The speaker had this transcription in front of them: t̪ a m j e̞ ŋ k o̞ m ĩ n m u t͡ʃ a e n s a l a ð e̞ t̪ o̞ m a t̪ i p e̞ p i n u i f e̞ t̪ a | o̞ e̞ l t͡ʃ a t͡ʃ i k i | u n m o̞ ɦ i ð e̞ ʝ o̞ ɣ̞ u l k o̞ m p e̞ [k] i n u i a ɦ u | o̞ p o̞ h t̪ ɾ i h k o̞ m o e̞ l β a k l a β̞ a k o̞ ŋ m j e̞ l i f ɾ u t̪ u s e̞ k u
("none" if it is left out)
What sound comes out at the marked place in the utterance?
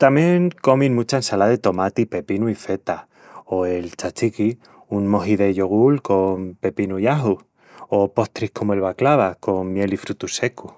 p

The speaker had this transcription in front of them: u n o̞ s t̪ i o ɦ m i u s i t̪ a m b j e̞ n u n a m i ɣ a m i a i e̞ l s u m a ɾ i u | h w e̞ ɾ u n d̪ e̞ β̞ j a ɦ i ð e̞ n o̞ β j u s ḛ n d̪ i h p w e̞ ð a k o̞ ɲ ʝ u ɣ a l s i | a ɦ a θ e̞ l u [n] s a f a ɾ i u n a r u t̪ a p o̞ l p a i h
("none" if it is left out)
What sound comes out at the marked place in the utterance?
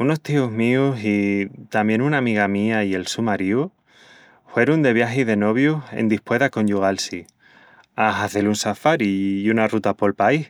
n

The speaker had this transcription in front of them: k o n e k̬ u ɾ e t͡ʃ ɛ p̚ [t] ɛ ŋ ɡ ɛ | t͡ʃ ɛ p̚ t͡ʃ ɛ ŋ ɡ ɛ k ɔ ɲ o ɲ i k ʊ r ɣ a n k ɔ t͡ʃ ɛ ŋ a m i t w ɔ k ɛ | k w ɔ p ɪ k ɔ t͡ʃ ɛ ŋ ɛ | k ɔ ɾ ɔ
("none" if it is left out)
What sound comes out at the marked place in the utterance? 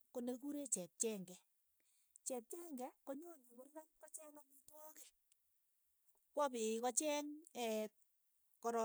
t͡ʃ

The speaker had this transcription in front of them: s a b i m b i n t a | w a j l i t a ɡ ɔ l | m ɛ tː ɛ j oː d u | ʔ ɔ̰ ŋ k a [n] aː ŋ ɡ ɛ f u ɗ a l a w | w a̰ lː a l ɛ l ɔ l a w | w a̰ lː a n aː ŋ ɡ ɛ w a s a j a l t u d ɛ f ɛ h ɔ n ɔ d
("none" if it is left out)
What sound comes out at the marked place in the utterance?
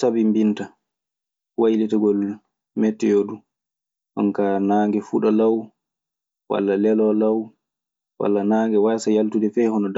n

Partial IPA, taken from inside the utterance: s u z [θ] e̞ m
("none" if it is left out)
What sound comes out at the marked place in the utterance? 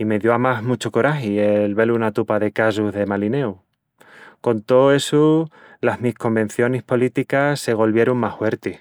ð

